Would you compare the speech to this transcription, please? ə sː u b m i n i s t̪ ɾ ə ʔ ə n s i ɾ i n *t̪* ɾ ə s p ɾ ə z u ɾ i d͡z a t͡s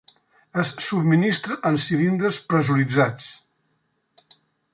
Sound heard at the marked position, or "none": d̪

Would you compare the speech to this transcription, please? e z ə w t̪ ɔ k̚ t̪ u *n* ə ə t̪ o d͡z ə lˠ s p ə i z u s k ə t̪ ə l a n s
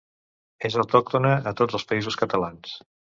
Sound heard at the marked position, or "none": n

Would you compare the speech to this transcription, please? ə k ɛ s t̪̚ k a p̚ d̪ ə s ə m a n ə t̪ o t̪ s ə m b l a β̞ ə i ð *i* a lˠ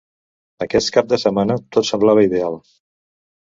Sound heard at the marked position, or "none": e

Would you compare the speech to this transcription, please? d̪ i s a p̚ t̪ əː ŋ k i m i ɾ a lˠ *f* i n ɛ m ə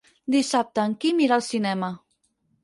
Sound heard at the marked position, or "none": s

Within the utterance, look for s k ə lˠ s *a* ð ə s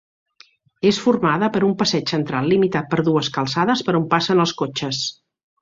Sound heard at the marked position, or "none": a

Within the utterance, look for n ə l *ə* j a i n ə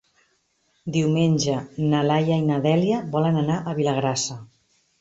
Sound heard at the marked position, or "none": a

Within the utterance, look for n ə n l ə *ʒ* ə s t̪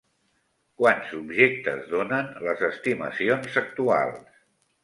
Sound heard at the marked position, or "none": z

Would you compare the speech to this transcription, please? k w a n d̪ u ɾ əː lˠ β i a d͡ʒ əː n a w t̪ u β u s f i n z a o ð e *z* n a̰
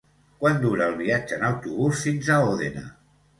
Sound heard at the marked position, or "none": none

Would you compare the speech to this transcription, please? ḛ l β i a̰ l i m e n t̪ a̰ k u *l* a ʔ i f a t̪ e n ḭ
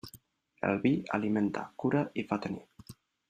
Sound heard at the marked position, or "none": ɾ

